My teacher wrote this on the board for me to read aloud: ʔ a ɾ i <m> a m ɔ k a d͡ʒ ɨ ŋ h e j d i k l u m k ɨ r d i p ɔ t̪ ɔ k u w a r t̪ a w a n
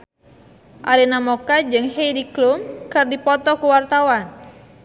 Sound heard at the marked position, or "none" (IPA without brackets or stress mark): n